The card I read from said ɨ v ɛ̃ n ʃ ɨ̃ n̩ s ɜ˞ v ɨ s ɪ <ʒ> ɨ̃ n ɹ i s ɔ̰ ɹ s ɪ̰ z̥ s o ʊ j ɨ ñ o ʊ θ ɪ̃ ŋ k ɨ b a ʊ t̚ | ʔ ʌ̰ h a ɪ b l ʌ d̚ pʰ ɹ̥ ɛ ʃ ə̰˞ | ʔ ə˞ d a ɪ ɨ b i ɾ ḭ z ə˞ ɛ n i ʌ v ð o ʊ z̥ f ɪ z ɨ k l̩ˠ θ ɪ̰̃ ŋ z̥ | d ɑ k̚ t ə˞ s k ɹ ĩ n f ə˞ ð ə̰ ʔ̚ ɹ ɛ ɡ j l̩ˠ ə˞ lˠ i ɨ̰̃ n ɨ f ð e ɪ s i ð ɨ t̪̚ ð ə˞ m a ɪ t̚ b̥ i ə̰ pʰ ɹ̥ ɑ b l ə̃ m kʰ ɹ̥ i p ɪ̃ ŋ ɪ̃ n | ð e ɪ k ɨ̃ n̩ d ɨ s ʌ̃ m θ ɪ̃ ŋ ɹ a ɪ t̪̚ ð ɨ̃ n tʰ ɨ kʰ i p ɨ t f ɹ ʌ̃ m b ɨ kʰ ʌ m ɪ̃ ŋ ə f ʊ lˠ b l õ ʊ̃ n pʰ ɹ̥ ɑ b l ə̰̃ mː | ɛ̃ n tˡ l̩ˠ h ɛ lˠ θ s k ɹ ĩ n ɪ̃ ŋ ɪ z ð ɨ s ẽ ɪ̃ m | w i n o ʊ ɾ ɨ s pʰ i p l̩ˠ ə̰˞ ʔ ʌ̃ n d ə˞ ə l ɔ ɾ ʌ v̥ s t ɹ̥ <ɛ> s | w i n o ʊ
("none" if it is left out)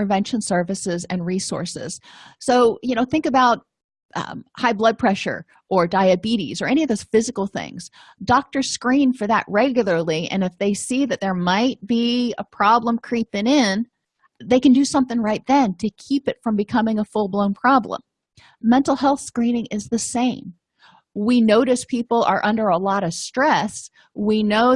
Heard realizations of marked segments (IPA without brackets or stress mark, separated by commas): z, ɛ